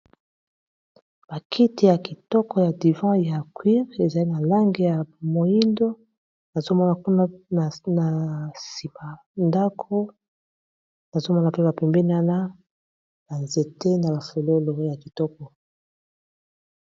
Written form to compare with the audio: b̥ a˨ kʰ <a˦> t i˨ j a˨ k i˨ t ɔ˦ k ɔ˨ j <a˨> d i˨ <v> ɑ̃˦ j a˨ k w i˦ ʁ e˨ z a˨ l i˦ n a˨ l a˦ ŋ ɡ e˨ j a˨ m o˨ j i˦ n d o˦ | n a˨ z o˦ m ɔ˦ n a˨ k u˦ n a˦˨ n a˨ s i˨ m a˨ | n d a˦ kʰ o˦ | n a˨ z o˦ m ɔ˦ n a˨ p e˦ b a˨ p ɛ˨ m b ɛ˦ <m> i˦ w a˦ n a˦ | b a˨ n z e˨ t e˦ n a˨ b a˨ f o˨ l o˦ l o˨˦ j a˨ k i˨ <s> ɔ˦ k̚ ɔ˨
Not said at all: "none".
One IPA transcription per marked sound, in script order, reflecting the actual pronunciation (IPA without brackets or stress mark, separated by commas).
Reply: i˦, a˨, v, n, t